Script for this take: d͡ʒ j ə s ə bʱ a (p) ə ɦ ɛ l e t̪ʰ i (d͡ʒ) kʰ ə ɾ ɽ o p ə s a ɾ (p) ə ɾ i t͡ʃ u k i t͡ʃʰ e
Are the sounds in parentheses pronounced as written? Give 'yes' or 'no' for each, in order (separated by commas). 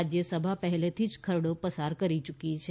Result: yes, yes, no